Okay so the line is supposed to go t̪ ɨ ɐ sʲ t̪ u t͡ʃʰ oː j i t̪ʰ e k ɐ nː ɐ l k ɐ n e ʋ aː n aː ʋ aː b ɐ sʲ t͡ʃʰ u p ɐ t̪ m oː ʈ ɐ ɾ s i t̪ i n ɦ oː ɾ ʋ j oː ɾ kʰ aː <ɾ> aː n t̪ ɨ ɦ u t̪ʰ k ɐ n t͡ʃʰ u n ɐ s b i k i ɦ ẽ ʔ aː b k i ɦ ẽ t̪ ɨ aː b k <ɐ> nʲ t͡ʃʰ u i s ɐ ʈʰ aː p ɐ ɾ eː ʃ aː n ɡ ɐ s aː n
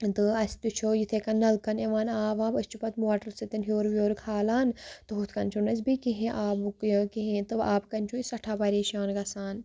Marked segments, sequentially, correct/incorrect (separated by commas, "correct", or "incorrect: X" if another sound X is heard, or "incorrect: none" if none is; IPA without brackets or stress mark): incorrect: l, correct